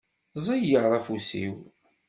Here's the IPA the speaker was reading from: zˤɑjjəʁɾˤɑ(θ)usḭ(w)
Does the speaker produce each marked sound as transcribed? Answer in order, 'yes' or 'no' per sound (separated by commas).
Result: no, yes